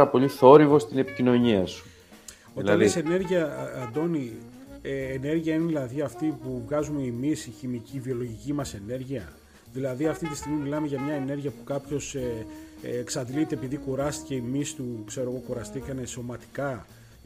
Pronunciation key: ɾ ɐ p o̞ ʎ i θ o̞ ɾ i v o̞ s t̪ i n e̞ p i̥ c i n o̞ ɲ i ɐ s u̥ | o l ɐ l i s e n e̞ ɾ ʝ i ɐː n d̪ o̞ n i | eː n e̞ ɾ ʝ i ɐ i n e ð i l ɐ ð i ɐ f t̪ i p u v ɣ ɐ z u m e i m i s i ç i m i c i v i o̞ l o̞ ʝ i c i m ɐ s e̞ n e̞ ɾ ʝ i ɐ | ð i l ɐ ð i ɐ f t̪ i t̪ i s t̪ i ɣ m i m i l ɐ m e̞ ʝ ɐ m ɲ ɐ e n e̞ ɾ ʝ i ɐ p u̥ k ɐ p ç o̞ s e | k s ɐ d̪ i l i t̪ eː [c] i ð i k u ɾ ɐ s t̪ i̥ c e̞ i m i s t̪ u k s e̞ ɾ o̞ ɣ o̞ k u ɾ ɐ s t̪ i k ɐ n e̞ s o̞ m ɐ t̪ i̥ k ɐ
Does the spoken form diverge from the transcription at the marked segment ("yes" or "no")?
yes